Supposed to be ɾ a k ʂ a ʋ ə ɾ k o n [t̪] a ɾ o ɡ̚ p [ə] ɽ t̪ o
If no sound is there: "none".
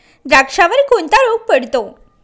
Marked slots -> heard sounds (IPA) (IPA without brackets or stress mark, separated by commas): t̪, ə